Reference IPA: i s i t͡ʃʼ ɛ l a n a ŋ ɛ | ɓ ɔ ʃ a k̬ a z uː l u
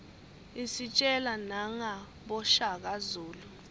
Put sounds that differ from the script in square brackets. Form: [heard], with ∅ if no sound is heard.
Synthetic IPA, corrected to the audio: i s i t͡ʃʼ ɛ l a n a ŋ [a] | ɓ ɔ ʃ a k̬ a z uː l u